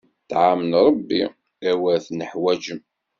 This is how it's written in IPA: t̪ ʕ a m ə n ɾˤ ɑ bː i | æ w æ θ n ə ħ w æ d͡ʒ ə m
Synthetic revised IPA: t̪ ʕ a m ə n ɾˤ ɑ bː i | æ w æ θ n ə ħ w æ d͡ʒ ə m